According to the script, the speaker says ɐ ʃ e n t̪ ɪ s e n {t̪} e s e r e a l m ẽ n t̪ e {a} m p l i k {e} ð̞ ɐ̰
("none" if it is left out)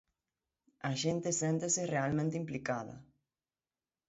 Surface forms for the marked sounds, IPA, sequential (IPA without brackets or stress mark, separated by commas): t̪, i, a